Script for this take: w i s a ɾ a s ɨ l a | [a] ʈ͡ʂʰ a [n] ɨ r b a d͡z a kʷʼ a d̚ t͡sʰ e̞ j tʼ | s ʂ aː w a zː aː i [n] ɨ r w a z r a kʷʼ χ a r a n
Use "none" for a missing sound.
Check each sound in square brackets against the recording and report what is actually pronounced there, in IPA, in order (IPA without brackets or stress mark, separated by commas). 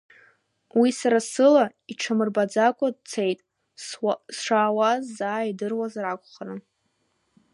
i, m, d